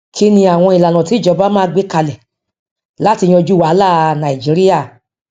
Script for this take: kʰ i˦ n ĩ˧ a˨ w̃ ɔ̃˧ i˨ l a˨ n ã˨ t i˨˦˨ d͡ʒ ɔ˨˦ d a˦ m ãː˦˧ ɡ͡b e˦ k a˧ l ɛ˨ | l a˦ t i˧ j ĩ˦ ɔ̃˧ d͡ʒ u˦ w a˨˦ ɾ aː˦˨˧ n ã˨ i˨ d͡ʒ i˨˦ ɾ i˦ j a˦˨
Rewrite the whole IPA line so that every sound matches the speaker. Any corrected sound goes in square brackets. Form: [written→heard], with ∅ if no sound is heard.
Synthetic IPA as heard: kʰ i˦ n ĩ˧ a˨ w̃ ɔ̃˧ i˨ l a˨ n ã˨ t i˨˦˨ d͡ʒ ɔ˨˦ [d→b] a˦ m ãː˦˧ ɡ͡b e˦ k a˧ l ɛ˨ | l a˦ t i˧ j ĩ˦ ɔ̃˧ d͡ʒ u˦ w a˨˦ [ɾ→l] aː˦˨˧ n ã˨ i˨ d͡ʒ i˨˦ ɾ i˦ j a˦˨